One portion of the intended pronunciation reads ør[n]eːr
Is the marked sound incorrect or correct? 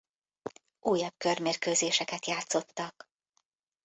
incorrect